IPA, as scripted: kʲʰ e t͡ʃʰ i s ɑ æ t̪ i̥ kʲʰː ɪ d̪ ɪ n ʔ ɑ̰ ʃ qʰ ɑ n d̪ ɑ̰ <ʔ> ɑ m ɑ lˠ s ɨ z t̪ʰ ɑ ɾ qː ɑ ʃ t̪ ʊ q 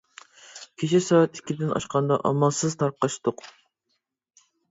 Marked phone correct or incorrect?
correct